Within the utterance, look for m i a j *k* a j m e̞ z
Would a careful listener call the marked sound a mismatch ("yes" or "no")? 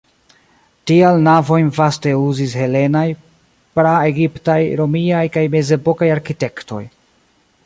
no